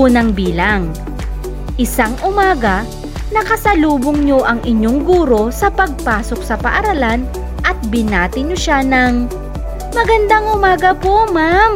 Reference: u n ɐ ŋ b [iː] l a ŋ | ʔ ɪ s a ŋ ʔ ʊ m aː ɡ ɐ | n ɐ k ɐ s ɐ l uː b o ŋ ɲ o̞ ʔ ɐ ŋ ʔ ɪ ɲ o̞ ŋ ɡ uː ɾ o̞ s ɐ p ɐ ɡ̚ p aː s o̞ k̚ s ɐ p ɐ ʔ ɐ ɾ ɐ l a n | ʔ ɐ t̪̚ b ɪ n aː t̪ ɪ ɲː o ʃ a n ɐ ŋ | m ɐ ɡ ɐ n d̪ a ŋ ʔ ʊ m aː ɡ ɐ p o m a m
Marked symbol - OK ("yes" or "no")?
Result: yes